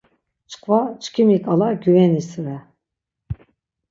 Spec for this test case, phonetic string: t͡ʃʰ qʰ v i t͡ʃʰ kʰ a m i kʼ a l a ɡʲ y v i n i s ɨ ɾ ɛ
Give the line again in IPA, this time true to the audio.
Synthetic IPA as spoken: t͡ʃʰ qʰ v a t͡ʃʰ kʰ i m i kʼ a l a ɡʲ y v ɛ n i s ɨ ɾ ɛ